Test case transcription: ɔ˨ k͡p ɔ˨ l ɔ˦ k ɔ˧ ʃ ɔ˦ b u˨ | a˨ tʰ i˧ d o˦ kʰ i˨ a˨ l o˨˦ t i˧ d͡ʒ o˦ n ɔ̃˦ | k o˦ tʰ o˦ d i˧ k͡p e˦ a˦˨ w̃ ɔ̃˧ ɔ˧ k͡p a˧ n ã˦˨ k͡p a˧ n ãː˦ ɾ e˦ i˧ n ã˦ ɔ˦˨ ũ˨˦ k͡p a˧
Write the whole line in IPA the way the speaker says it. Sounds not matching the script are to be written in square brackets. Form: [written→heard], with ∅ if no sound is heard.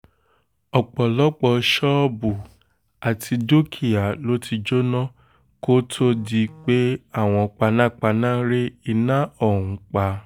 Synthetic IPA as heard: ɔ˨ k͡p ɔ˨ l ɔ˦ [k→k͡p] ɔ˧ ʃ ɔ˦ b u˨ | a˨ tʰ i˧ d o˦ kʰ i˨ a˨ l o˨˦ t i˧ d͡ʒ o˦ n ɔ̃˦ | k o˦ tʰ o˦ d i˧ k͡p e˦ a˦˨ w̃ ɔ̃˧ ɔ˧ k͡p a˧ n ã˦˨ k͡p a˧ n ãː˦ ɾ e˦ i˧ n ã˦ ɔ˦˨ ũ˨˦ k͡p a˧

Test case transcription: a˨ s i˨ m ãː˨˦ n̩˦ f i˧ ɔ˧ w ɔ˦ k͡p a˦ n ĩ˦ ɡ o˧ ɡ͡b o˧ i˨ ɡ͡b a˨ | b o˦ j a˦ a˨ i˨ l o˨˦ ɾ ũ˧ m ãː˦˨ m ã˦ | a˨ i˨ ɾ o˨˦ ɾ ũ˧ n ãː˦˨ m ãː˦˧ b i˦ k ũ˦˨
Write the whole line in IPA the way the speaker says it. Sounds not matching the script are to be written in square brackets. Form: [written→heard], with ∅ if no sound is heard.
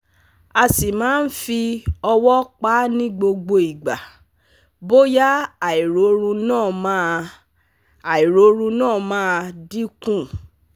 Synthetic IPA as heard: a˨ s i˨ m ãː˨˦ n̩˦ f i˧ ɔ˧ w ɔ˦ k͡p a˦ n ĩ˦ [ɡ→ɡ͡b] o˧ ɡ͡b o˧ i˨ ɡ͡b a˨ | b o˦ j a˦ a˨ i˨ [l→ɾ] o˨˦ ɾ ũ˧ [m→n] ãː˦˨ m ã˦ | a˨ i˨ ɾ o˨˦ ɾ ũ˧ n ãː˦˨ m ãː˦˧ [b→d] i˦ k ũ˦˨

